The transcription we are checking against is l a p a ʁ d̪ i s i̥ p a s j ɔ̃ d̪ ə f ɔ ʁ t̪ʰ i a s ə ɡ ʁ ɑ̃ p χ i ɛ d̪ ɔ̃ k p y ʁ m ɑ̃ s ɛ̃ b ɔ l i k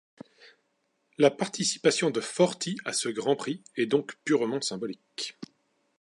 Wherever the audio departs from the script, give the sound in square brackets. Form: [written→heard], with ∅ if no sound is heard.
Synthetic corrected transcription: l a p a ʁ [d̪→t̪] i s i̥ p a s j ɔ̃ d̪ ə f ɔ ʁ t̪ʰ i a s ə ɡ ʁ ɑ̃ p χ i ɛ d̪ ɔ̃ k p y ʁ m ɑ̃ s ɛ̃ b ɔ l i k